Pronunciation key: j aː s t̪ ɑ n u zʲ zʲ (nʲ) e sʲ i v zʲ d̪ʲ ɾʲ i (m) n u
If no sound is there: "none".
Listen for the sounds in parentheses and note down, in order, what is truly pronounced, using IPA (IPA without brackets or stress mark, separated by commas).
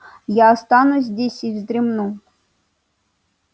dʲ, m